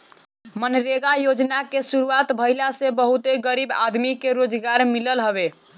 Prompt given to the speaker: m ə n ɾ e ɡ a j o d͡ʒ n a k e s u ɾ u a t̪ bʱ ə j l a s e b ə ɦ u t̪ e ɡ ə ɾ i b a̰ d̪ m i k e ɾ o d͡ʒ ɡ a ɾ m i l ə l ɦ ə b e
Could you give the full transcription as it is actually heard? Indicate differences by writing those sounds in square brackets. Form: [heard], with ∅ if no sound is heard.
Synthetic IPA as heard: m ə n ɾ e ɡ a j o d͡ʒ n a k e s u ɾ u a t̪ bʱ ə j l a s e b ə ɦ u t̪ e ɡ ə ɾ i b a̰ d̪ m i k e ɾ o d͡ʒ ɡ a ɾ m i l ə l ɦ ə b e